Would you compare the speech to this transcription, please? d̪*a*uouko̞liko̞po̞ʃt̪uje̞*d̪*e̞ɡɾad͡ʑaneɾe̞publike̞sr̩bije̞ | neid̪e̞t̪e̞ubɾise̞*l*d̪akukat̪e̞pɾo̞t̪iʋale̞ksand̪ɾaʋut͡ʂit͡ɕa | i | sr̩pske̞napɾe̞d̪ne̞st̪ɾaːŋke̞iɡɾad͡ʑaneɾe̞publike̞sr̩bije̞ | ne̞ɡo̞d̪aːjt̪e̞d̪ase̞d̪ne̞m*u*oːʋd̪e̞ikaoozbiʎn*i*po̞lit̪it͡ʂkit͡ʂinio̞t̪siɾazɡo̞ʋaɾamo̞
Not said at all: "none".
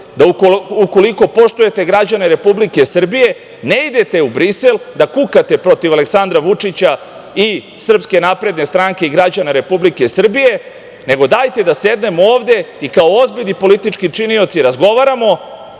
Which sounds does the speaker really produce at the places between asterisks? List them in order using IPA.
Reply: a, t̪, l, o, i

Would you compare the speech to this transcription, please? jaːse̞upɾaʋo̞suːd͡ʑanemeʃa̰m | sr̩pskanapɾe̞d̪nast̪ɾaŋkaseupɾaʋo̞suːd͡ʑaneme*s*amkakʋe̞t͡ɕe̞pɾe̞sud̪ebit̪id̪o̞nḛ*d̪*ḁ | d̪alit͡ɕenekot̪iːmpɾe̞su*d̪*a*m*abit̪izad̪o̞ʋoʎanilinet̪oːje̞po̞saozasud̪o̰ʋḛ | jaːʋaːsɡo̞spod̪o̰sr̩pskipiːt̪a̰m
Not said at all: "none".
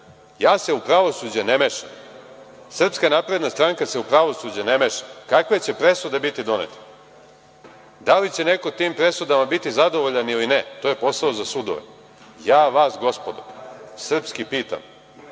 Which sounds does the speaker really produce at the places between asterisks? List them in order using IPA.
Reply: ʃ, t̪, d̪, m

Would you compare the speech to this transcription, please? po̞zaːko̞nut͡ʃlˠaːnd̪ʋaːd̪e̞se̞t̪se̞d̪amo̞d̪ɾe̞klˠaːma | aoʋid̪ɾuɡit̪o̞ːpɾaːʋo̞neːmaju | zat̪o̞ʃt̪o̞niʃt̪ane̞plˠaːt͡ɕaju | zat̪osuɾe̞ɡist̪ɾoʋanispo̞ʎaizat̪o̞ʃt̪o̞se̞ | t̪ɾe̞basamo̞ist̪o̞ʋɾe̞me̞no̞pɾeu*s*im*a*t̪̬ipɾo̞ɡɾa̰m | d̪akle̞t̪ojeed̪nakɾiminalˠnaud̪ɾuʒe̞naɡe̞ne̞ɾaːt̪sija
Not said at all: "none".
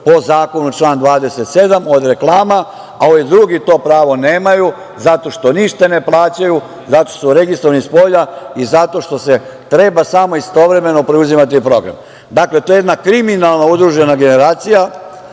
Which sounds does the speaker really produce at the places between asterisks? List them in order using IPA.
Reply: z, a

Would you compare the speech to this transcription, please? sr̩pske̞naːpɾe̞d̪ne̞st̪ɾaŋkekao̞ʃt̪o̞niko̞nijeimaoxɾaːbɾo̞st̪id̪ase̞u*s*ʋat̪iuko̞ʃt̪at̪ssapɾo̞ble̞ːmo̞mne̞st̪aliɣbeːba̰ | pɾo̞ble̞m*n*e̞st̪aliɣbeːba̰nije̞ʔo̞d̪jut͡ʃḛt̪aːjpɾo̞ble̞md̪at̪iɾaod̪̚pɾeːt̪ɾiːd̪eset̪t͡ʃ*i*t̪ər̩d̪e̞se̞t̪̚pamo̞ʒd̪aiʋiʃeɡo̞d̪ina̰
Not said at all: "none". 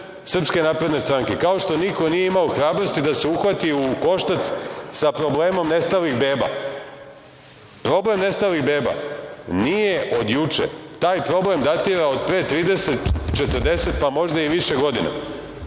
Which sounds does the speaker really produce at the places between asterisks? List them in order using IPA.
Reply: x, n, e

